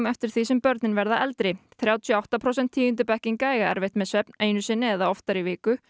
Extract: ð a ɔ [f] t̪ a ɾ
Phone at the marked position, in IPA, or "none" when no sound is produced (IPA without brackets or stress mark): f